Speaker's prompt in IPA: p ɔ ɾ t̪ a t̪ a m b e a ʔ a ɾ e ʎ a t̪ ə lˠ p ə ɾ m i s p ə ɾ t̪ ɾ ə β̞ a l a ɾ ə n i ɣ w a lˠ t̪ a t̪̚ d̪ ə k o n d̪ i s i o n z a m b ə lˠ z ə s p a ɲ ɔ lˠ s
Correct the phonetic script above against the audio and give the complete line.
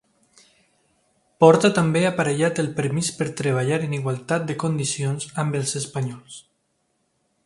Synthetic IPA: p ɔ ɾ t̪ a t̪ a m b e a p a ɾ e ʎ a t̪ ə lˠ p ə ɾ m i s p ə ɾ t̪ ɾ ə β̞ a ʎ a ɾ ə n i ɣ w a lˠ t̪ a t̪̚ d̪ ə k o n d̪ i s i o n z a m b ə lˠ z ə s p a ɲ ɔ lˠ s